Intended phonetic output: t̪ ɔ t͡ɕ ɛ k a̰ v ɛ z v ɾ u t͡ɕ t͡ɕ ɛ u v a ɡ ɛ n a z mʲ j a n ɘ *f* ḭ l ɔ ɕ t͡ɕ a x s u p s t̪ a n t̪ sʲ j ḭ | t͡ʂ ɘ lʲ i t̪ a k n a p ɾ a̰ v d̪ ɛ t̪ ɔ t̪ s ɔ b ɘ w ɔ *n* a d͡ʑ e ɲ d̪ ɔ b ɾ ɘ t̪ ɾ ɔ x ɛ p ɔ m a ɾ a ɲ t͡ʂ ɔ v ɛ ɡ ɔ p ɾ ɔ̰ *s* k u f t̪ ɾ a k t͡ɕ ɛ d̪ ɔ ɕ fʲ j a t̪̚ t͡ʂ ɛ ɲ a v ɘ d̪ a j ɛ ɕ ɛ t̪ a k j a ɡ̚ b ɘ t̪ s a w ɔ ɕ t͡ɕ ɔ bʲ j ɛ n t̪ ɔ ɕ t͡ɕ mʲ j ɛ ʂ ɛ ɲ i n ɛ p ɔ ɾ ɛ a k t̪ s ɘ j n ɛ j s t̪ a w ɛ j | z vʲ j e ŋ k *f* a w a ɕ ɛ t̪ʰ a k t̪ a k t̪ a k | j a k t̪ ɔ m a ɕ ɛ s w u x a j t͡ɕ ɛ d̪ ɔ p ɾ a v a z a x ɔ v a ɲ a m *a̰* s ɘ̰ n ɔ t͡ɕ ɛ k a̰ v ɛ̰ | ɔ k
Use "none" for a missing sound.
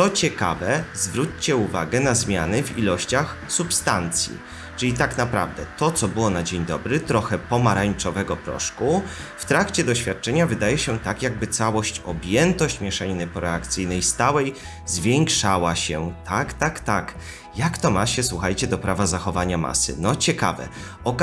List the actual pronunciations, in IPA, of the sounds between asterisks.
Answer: v, n, ʂ, ʂ, a̰

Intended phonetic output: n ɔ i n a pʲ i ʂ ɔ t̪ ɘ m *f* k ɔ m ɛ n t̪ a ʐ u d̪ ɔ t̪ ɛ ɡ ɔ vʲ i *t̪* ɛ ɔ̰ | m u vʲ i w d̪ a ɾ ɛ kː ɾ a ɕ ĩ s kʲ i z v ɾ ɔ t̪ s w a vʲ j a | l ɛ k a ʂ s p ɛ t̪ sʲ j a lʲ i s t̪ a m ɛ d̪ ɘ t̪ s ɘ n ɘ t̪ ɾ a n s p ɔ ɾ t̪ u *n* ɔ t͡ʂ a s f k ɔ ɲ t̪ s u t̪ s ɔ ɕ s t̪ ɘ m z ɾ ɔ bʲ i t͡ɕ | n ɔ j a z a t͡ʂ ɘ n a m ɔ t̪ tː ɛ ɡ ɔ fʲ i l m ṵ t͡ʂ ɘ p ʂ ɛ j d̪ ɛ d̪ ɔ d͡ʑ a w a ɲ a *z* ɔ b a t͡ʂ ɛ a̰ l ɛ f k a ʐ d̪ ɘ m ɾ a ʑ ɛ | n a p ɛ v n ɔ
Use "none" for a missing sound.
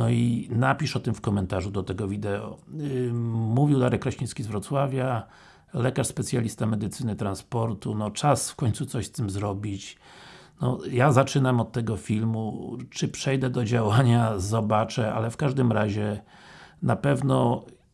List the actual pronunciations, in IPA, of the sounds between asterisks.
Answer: f, d̪, n, z

